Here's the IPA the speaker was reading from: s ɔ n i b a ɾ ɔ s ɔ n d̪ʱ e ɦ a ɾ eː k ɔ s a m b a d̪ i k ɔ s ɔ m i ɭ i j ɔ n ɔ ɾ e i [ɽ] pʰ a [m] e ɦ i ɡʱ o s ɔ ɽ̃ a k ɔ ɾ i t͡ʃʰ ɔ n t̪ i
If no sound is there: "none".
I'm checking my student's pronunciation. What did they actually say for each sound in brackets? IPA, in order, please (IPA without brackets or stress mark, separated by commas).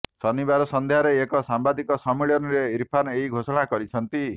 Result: ɾ, n